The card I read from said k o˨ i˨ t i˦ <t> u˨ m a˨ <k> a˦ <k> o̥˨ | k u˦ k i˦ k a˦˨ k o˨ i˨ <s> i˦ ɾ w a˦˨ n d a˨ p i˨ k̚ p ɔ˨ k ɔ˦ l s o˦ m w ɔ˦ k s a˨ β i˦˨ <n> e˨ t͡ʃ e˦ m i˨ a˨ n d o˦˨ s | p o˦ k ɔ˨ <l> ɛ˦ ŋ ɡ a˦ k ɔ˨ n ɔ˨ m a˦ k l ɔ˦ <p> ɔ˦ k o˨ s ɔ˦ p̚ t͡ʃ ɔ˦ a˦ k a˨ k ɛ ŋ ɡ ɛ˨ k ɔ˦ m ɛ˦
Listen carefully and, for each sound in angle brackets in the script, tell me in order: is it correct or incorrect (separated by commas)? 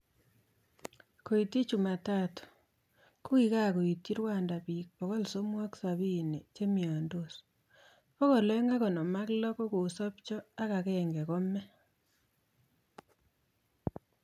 incorrect, incorrect, incorrect, incorrect, correct, correct, incorrect